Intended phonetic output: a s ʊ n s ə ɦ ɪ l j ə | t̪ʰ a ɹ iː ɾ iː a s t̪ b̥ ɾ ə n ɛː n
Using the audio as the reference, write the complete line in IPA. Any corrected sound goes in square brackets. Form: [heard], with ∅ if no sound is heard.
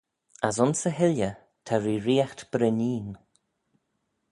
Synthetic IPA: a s ʊ n s ə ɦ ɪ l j ə | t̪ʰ a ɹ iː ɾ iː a [x] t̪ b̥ ɾ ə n [iː] n